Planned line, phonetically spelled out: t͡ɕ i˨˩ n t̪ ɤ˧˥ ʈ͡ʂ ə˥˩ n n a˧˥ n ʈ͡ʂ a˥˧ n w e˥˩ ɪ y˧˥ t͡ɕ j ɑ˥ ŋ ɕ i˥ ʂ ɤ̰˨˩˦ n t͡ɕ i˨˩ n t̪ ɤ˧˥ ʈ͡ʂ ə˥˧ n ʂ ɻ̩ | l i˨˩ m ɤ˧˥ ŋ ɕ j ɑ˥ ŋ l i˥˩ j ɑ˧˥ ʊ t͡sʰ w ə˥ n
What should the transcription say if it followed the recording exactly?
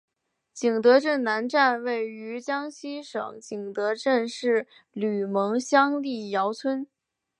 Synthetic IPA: t͡ɕ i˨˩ ŋ t̪ ɤ˧˥ ʈ͡ʂ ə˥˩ n n a˧˥ n ʈ͡ʂ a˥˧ n w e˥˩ ɪ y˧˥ t͡ɕ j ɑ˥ ŋ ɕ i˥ ʂ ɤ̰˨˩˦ ŋ t͡ɕ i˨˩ ŋ t̪ ɤ˧˥ ʈ͡ʂ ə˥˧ n ʂ ɻ̩ | l y˨˩ m ɤ˧˥ ŋ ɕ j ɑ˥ ŋ l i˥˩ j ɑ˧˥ ʊ t͡sʰ w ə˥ n